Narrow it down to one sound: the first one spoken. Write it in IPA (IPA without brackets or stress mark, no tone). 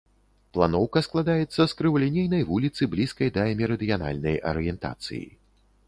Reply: p